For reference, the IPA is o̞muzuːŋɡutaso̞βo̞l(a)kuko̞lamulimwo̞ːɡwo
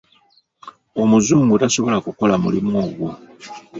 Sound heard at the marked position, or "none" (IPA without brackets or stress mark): a